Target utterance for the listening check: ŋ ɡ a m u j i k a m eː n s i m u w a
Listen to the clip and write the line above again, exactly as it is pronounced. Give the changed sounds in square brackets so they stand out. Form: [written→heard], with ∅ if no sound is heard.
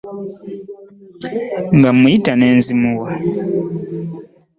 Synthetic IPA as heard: ŋ ɡ a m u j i [k→t] a [m→n] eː n [s→z] i m u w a